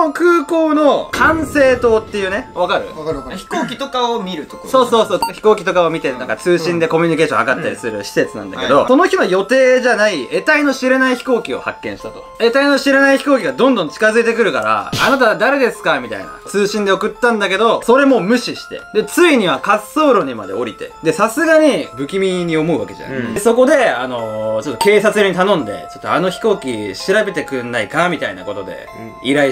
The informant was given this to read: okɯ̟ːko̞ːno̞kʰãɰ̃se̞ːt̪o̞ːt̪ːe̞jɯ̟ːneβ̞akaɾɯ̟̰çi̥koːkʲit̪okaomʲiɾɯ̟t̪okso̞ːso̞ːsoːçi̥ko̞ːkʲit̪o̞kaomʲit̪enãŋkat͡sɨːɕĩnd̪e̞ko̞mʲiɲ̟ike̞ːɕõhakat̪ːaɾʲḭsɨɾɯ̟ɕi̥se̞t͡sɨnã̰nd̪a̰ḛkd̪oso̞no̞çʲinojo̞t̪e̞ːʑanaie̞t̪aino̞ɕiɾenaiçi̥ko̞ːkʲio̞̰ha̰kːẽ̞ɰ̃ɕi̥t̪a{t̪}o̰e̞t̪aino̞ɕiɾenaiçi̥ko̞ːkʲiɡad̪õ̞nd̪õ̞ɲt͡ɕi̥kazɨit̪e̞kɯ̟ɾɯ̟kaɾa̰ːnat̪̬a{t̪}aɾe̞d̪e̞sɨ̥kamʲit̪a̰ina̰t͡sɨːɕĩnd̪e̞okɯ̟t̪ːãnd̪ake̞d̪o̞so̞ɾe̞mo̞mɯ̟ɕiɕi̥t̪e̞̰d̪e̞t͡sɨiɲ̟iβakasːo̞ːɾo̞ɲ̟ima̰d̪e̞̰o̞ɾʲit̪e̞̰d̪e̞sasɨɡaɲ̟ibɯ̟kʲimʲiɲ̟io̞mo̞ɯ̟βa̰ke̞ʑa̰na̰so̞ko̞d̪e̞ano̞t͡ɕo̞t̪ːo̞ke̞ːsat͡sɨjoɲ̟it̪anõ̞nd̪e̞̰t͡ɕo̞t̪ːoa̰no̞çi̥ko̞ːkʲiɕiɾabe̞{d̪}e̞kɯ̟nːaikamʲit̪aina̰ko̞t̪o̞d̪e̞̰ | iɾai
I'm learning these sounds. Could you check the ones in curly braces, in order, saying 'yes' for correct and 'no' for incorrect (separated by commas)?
yes, no, no